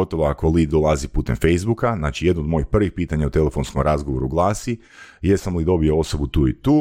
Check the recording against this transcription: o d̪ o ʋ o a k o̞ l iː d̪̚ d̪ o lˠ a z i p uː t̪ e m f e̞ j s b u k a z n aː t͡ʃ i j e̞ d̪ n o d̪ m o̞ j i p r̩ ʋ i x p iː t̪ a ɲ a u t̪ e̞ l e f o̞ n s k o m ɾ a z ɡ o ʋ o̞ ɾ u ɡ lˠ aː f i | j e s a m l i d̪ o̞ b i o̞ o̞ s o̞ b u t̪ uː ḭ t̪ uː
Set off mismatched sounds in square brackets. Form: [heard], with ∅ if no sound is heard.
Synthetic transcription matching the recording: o [t̪] o ʋ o a k o̞ l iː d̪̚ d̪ o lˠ a z i p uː t̪ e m f e̞ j [z] b u k a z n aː t͡ʃ i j e̞ d̪ n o d̪ m o̞ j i p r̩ ʋ i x p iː t̪ a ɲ a u t̪ e̞ l e f o̞ n s k o m ɾ a z ɡ o ʋ o̞ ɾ u ɡ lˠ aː [s] i | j e s a m l i d̪ o̞ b i o̞ o̞ s o̞ b u t̪ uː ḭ t̪ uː